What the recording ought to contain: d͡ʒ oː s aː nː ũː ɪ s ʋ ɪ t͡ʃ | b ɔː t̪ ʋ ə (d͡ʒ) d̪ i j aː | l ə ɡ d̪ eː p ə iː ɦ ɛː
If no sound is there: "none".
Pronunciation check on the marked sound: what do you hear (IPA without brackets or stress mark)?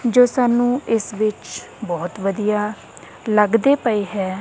none